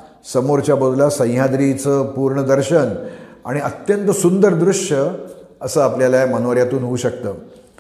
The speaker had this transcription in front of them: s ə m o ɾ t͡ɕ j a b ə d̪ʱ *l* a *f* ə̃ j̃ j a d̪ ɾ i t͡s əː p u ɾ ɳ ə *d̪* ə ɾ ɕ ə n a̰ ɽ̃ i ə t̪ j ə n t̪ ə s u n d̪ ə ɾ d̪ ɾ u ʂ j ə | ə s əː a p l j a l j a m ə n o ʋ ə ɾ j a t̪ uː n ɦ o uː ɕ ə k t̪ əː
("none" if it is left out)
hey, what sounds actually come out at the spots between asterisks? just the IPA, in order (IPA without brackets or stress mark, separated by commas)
l, s, d̪